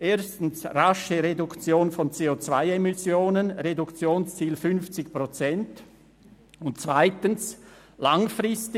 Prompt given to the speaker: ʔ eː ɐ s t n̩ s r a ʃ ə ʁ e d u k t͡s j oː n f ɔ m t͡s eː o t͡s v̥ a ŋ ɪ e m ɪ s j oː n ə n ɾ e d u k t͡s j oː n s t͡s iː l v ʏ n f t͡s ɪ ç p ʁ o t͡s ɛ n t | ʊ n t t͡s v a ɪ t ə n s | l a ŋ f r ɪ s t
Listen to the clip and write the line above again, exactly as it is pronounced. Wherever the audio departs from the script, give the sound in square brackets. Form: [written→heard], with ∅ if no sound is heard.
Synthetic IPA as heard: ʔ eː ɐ s t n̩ s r a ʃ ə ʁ e d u k t͡s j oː n f ɔ [m→n] t͡s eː o t͡s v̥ a [ŋ→∅] ɪ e m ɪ s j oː n ə n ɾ e d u k t͡s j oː n s t͡s iː l [v→f] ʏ n f t͡s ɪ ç p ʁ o t͡s ɛ n t | ʊ n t t͡s v a ɪ t ə n s | l a ŋ f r ɪ s t